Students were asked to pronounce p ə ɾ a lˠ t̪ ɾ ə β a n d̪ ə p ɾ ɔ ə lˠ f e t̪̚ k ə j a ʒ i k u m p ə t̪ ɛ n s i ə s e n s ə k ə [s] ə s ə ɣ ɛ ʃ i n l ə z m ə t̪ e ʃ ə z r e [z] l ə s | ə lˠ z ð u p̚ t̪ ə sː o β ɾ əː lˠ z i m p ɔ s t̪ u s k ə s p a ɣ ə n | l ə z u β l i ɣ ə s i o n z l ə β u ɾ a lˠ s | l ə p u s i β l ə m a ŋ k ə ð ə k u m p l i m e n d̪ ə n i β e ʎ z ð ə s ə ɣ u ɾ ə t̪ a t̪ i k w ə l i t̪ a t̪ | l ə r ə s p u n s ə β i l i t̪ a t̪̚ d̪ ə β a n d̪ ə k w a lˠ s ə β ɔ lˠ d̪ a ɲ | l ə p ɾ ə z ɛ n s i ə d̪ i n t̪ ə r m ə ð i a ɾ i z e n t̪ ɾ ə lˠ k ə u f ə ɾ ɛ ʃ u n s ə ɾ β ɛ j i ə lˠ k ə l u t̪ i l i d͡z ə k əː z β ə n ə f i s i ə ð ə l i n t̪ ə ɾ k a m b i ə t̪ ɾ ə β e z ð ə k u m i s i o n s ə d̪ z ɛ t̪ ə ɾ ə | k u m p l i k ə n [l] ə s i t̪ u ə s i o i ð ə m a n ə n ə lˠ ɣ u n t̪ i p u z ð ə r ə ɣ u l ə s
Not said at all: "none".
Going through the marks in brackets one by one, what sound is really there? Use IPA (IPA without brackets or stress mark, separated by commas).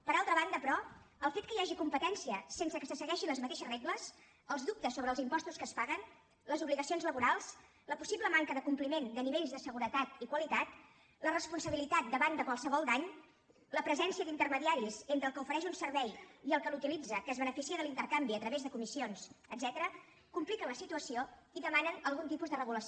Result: s, ɣ, l